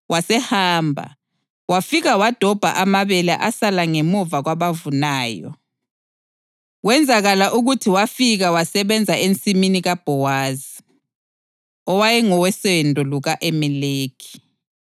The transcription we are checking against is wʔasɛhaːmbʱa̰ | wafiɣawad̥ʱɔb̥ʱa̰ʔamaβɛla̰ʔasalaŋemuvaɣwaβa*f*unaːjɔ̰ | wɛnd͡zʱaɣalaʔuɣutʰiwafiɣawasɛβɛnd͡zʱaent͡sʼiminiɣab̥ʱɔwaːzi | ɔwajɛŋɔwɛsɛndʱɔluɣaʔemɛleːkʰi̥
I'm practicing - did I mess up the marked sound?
yes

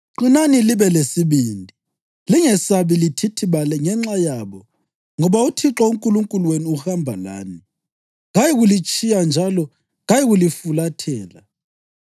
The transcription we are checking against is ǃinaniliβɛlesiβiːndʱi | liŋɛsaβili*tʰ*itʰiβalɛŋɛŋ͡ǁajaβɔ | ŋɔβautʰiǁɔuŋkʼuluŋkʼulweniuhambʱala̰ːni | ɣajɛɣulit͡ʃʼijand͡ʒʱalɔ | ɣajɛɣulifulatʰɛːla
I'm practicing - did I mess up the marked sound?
no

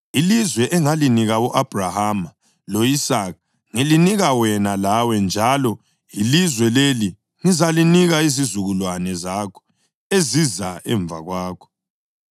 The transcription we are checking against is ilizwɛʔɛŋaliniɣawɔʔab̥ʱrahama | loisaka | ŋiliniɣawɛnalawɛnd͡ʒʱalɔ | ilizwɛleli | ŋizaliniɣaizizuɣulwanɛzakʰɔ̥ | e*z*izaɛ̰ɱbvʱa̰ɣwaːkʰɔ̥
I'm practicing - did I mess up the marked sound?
no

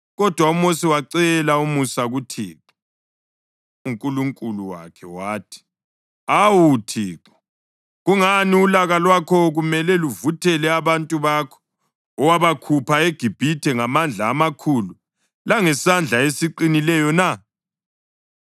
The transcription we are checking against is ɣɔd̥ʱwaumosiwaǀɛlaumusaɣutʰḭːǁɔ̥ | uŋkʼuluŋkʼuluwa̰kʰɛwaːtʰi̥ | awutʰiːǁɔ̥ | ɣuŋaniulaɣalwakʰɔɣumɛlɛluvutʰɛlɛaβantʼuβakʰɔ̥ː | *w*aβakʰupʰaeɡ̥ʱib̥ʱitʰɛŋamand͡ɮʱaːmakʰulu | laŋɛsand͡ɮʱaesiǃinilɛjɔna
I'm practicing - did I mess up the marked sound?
no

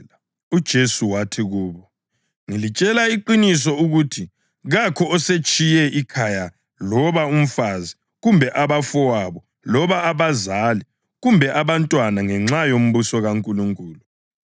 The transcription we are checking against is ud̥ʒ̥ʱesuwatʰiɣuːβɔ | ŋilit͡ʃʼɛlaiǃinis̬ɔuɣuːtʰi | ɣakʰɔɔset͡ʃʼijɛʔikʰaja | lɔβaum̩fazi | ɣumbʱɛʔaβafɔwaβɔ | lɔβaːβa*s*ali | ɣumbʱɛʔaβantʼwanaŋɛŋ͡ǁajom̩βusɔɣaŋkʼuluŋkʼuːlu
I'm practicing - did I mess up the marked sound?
yes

